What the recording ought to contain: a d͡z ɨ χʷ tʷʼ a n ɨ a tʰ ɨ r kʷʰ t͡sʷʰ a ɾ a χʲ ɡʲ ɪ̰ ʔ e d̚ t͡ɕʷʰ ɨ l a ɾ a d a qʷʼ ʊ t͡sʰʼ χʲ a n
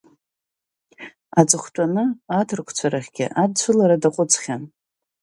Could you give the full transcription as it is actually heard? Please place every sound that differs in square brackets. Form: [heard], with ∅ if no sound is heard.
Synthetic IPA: a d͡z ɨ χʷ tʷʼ a n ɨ a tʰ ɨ r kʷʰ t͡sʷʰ a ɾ a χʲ ɡʲ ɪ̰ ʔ [a] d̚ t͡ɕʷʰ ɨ l a ɾ a d a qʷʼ ʊ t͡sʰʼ χʲ a n